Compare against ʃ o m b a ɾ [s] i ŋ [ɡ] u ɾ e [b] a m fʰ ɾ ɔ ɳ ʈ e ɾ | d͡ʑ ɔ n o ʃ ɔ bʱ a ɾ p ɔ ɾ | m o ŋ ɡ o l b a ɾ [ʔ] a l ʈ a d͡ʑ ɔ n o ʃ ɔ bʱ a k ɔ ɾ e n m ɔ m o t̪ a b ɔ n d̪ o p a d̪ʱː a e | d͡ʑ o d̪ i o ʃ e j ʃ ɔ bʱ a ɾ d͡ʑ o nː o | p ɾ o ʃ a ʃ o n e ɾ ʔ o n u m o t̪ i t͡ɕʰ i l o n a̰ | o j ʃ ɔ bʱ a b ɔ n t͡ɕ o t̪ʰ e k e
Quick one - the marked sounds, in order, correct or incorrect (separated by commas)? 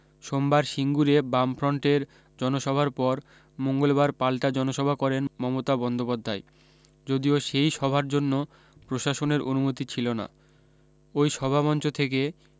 incorrect, correct, correct, incorrect